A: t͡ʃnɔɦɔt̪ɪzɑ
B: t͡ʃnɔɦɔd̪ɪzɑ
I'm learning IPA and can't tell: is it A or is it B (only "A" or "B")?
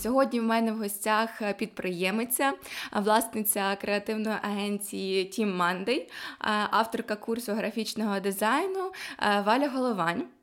B